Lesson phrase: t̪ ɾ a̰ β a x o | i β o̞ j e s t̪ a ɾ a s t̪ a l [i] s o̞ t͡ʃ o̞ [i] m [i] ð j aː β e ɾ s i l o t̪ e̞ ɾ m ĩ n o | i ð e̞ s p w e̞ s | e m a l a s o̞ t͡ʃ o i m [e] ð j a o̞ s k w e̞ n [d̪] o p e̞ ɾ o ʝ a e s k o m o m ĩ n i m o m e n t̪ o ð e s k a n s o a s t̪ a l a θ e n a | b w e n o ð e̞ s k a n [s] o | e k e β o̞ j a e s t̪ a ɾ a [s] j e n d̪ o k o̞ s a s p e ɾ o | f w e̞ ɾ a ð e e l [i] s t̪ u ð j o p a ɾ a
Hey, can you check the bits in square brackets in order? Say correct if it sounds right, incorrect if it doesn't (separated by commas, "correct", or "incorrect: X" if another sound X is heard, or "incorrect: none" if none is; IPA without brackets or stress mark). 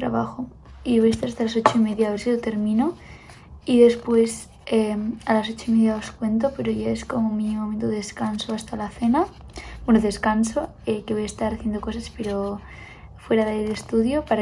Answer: incorrect: a, correct, incorrect: e, correct, incorrect: t̪, correct, incorrect: θ, incorrect: e